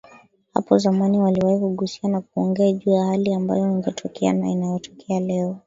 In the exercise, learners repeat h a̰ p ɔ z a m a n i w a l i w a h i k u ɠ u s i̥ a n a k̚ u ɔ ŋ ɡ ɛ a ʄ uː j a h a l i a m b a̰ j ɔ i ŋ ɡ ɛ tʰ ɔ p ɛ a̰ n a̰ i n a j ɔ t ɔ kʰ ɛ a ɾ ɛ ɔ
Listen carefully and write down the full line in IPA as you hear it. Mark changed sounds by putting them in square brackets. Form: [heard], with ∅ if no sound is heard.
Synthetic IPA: h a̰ p ɔ z a m a n i w a l i w a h i k u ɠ u s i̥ a n a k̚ u ɔ ŋ ɡ ɛ a ʄ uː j a h a l i a m b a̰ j ɔ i ŋ ɡ ɛ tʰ ɔ [k] ɛ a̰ n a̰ i n a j ɔ t ɔ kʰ ɛ a [l] ɛ ɔ